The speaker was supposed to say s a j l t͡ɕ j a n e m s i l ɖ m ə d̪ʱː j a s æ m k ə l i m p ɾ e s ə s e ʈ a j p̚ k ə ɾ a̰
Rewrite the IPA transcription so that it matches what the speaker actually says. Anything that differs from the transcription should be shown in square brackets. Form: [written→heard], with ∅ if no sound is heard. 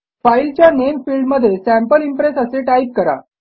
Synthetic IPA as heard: [s→f] a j l t͡ɕ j a n e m [s→f] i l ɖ m ə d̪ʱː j [a→e] s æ m [k→p] ə l i m p ɾ e s ə s e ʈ a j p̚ k ə ɾ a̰